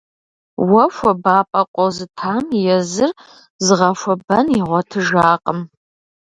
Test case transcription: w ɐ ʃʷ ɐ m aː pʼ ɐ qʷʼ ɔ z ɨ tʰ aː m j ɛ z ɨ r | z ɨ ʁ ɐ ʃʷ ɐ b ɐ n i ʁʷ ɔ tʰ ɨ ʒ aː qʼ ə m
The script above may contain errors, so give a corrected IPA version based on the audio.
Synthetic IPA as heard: w ɐ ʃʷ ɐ b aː pʼ ɐ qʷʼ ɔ z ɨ tʰ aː m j ɛ z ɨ r | z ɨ ʁ ɐ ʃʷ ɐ b ɐ n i ʁʷ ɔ tʰ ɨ ʒ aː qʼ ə m